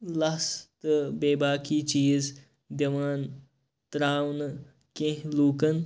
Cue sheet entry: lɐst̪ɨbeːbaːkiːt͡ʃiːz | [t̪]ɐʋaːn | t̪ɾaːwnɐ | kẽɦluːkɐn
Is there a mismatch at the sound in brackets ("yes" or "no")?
yes